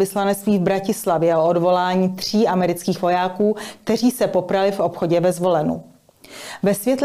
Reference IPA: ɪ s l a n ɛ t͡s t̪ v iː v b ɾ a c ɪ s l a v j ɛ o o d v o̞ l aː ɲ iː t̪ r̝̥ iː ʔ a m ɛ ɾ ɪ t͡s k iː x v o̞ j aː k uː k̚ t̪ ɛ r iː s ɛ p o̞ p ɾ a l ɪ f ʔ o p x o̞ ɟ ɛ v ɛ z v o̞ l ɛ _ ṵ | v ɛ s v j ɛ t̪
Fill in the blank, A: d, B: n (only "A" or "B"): B